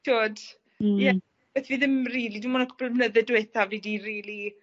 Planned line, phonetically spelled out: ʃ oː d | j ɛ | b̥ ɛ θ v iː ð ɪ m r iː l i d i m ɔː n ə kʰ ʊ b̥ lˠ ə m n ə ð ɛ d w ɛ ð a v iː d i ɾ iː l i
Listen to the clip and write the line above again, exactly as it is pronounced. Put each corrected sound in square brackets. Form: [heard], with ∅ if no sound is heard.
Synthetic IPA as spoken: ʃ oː d | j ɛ | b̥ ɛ θ v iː ð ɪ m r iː l i d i m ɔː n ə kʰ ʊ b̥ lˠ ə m n ə ð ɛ d w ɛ [θ] a v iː d i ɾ iː l i